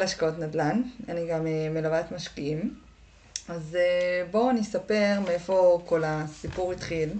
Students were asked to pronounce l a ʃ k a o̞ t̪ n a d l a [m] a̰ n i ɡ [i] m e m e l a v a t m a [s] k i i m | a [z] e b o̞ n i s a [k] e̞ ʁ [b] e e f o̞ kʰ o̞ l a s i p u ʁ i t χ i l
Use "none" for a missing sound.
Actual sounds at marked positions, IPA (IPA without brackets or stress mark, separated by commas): n, a, ʃ, z, p, m